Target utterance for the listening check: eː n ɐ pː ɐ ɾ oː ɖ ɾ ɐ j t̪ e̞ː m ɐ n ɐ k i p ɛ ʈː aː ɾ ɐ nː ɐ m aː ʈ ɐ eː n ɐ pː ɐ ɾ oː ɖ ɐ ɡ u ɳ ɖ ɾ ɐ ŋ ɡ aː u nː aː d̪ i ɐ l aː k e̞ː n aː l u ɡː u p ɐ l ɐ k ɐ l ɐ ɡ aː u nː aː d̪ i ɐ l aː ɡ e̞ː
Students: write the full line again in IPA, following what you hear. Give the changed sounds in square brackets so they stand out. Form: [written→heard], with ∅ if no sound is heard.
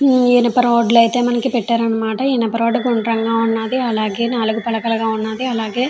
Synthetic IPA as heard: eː n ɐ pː ɐ ɾ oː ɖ [ɾ→l] ɐ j t̪ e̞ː m ɐ n ɐ k i p ɛ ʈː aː ɾ ɐ nː ɐ m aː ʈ ɐ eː n ɐ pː ɐ ɾ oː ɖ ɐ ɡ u ɳ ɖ ɾ ɐ ŋ ɡ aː u nː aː d̪ i ɐ l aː [k→ɡ] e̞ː n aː l u [ɡː→ɡ] u p ɐ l ɐ k ɐ l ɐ ɡ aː u nː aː d̪ i ɐ l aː ɡ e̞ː